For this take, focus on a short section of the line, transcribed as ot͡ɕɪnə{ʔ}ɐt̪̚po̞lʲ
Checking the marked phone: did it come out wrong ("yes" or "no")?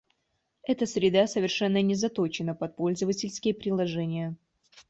yes